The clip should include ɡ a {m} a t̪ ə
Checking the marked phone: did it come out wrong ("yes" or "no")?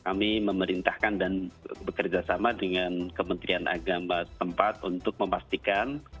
no